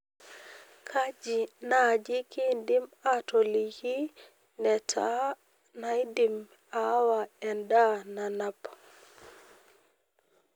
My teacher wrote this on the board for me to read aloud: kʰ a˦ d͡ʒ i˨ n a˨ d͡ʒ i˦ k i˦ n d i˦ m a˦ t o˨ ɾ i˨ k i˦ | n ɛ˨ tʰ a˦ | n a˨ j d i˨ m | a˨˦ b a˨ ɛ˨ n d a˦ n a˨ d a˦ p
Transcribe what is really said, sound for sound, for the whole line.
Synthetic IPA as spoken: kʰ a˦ d͡ʒ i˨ n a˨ d͡ʒ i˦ k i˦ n d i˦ m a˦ t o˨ l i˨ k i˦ | n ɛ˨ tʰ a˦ | n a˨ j d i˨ m | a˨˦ w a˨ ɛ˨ n d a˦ n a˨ n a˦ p